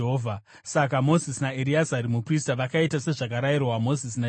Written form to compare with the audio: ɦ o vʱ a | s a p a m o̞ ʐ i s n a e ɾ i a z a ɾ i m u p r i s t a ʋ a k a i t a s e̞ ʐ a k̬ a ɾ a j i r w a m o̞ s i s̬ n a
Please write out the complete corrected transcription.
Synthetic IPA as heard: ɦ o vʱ a | s a k a m o̞ z i s n a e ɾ i a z a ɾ i m u p r i s t a ʋ a k a i t a s e̞ ʐ a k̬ a ɾ a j i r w a m o̞ z i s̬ n a